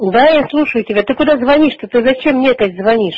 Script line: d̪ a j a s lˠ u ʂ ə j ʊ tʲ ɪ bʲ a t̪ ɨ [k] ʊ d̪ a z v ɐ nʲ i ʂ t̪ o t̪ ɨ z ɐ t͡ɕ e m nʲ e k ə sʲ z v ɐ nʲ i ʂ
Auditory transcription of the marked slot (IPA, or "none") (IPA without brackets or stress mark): k